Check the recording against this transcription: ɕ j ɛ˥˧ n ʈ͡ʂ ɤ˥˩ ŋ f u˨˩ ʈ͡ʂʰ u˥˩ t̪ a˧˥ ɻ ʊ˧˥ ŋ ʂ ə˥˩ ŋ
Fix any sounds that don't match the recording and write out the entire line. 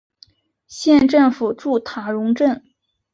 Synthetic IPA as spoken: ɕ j ɛ˥˧ n ʈ͡ʂ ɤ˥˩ ŋ f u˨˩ ʈ͡ʂ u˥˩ t̪ʰ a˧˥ ɻ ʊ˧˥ ŋ ʈ͡ʂ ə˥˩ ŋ